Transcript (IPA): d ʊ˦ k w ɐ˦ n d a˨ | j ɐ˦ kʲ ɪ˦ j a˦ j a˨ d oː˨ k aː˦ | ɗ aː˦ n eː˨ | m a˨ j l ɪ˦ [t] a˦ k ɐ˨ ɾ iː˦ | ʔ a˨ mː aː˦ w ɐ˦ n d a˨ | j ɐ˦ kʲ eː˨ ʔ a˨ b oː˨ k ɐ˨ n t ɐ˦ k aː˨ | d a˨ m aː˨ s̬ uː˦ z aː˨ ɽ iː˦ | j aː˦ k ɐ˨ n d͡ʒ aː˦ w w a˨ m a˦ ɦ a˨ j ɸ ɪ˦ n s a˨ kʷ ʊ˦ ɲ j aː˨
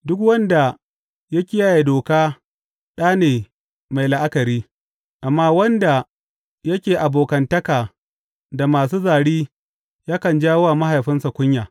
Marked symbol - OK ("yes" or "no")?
no